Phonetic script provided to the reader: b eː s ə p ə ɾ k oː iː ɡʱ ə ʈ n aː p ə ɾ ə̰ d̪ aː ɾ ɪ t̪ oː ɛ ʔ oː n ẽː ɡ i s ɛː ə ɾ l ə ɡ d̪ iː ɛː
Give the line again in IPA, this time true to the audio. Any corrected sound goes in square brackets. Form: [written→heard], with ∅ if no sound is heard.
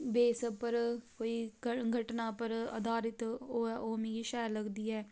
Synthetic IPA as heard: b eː s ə p ə ɾ k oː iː ɡʱ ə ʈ n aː p ə ɾ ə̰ d̪ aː ɾ ɪ t̪ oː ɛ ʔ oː [n→m] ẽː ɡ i [s→ʃ] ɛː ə ɾ l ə ɡ d̪ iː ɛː